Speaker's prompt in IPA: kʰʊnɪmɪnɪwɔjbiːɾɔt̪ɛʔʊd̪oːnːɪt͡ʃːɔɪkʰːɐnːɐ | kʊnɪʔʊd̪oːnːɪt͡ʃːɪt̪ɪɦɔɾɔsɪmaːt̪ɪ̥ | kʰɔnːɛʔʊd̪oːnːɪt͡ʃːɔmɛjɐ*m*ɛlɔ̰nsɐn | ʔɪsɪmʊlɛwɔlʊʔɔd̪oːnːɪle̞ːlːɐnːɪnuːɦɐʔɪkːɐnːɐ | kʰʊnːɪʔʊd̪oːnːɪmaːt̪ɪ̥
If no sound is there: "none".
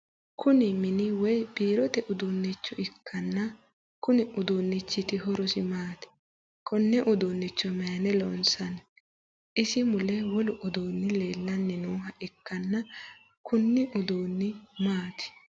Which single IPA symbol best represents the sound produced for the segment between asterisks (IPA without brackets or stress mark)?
n